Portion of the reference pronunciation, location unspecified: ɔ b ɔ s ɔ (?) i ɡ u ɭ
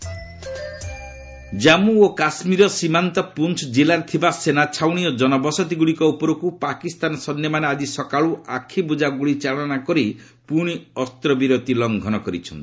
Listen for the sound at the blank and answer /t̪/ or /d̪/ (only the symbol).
t̪